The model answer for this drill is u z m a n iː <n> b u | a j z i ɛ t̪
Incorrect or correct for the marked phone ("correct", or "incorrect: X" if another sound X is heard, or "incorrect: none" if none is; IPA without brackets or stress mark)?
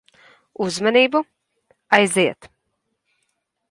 incorrect: none